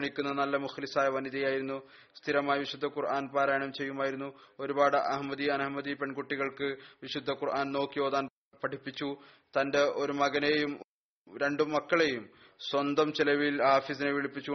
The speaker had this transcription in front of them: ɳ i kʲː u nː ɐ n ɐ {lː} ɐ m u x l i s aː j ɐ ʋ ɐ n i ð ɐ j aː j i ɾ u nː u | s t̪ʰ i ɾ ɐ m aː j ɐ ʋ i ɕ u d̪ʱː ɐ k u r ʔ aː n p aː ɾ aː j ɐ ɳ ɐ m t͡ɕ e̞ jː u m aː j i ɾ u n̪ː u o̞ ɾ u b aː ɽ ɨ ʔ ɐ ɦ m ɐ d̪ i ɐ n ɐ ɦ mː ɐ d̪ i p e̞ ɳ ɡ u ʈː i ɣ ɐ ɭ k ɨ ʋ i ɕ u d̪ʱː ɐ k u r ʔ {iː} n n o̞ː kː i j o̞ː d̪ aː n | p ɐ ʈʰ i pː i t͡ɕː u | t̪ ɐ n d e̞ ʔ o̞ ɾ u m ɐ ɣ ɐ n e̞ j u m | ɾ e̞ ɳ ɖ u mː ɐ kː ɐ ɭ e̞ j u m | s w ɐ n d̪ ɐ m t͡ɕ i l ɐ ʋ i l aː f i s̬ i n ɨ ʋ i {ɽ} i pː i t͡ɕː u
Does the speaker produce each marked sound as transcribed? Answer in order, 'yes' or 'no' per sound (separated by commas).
yes, no, no